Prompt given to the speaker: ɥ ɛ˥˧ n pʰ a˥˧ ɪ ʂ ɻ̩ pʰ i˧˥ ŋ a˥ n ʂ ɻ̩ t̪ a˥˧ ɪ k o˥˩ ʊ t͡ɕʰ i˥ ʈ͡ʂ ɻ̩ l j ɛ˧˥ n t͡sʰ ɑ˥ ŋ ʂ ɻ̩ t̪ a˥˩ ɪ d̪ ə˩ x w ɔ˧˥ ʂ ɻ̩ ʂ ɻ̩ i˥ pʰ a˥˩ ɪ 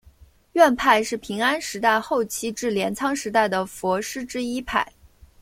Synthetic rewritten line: ɥ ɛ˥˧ n pʰ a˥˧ ɪ ʂ ɻ̩ pʰ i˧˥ ŋ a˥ n ʂ ɻ̩ t̪ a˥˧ ɪ x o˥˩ ʊ t͡ɕʰ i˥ ʈ͡ʂ ɻ̩ l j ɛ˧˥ n t͡sʰ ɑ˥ ŋ ʂ ɻ̩ t̪ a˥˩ ɪ d̪ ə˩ f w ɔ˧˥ ʂ ɻ̩ ʈ͡ʂ ɻ̩ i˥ pʰ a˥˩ ɪ